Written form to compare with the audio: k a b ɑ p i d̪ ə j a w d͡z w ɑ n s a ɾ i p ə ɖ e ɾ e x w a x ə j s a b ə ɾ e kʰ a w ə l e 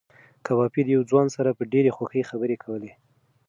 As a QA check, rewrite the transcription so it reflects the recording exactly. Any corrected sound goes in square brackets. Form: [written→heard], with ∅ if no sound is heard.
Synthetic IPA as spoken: k a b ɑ p i d̪ ə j a w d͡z w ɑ n s a ɾ [i→a] p ə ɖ e ɾ e x w a x ə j [s→x] a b ə ɾ e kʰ a w ə l e